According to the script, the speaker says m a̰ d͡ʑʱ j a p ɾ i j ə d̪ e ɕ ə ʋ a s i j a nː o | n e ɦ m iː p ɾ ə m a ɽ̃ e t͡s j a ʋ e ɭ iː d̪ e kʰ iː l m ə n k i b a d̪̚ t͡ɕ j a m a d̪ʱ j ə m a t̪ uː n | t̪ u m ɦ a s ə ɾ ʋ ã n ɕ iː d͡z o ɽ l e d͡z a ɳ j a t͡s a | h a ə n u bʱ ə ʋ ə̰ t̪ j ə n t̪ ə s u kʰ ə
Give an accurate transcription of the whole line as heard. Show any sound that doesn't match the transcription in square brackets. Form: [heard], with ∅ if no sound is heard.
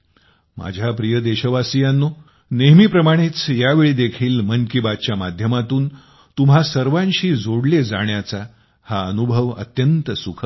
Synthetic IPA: m a̰ d͡ʑʱ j a p ɾ i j ə d̪ e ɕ ə ʋ a s i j a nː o | n e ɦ m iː p ɾ ə m a ɽ̃ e t͡s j a ʋ e ɭ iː d̪ e kʰ iː l m ə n k i b a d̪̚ t͡ɕ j a m a d̪ʱ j ə m a t̪ uː n | t̪ u m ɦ a s ə ɾ ʋ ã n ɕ iː d͡z o ɽ l e d͡z a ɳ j a t͡s a | h a ə n u bʱ ə ʋ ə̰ t̪ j ə n t̪ ə s u kʰ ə